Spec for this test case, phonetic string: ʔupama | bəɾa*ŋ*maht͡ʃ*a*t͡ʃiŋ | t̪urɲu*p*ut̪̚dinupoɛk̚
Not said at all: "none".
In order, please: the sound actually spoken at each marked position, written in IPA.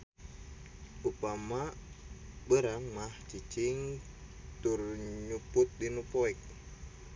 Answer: ŋ, i, p

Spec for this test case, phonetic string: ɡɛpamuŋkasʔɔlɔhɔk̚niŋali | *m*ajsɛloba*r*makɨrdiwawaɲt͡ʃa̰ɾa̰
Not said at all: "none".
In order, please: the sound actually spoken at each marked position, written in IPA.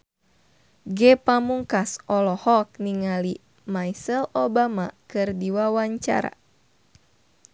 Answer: m, none

